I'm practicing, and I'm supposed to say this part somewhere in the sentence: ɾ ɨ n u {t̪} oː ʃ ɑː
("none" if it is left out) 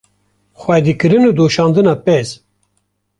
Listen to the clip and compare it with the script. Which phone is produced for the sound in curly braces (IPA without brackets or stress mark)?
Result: d̪